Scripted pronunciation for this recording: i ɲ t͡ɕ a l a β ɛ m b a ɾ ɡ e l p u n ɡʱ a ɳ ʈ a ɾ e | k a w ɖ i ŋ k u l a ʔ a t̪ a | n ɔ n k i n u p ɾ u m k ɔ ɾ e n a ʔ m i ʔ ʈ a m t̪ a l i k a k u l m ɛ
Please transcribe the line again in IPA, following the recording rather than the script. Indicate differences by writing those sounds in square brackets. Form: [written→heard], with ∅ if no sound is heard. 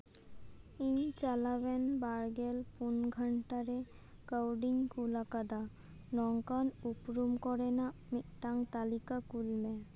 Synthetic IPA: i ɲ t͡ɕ a l a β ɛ [m→n] b a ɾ ɡ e l p u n ɡʱ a ɳ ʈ a ɾ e | k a w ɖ i ŋ k u l a [ʔ→k] a [t̪→d̪] a | n ɔ [n→ŋ] k [i→a] n u p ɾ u m k ɔ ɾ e n a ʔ m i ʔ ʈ a [m→ŋ] t̪ a l i k a k u l m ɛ